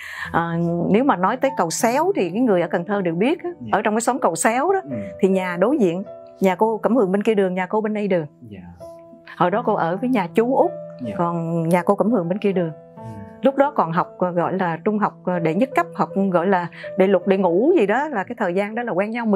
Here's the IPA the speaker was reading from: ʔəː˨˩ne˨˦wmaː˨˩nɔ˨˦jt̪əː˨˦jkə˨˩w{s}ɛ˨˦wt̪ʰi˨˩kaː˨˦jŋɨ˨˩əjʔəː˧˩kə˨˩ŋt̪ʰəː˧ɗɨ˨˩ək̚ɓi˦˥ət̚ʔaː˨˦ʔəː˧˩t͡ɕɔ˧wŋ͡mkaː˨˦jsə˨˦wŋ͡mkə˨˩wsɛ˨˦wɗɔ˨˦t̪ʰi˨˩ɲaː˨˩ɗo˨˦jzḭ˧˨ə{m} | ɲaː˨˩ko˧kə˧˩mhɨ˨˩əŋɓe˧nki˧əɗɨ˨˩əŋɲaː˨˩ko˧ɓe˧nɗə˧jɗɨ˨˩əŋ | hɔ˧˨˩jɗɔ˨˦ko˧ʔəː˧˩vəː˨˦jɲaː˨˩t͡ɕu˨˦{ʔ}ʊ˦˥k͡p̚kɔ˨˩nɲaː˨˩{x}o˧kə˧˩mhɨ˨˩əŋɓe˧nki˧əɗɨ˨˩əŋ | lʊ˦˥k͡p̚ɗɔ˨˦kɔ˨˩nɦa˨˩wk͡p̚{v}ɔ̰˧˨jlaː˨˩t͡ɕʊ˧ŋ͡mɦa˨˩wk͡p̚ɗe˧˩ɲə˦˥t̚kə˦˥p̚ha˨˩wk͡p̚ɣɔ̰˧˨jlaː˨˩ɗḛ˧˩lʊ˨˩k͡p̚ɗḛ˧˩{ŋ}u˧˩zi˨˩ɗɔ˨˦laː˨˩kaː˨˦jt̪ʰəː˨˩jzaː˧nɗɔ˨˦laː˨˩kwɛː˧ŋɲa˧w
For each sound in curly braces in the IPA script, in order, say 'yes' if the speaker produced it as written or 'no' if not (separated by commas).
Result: yes, no, yes, no, no, yes